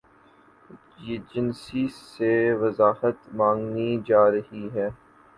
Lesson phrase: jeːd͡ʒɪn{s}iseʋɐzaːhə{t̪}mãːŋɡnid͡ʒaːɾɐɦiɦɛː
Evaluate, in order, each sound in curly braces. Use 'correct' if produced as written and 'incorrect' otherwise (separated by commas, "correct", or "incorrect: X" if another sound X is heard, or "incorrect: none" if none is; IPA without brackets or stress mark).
correct, correct